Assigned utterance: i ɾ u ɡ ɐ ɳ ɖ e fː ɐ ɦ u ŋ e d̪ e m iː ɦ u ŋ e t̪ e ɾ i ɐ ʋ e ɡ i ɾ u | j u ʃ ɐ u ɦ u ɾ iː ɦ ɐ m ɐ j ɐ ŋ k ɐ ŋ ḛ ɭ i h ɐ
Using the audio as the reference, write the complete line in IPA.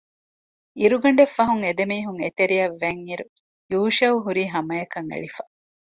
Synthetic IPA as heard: i ɾ u ɡ ɐ ɳ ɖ e fː ɐ ɦ u ŋ e d̪ e m iː ɦ u ŋ e t̪ e ɾ i ɐ ʋː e ŋ i ɾ u | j uː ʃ ɐ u ɦ u ɾ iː ɦ ɐ m ɐ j ɐ k ɐ ŋ ḛ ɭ i f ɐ